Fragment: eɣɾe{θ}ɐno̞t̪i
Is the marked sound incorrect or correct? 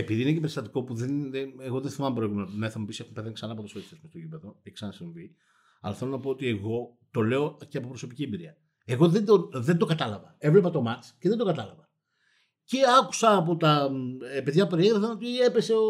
incorrect